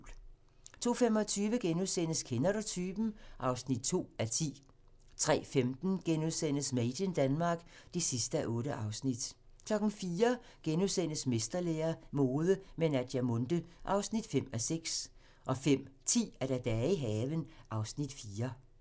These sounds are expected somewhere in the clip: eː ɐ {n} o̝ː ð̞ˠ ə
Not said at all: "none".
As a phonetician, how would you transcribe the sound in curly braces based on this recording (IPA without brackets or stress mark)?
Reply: m